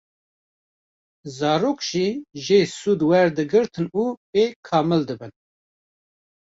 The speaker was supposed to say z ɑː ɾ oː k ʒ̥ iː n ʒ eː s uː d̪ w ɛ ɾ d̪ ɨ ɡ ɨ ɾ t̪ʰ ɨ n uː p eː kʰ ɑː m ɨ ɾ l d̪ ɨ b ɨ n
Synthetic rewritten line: z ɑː ɾ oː k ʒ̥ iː ʒ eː s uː d̪ w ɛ ɾ d̪ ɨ ɡ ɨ ɾ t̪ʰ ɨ n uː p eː kʰ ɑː m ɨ l d̪ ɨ b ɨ n